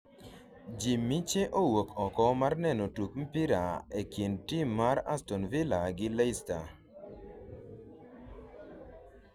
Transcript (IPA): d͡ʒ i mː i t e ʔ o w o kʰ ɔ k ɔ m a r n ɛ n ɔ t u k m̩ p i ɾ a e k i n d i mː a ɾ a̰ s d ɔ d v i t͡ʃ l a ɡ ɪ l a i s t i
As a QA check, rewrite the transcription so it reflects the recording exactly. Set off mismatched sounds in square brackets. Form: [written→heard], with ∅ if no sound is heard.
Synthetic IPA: d͡ʒ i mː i [t→t͡ʃ] e ʔ o w o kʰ ɔ k ɔ m a r n ɛ n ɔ t u k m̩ p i ɾ a e k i n [d→t] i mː a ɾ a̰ s [d→t] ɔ [d→n] v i [t͡ʃ→∅] l a ɡ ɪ l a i s t [i→a]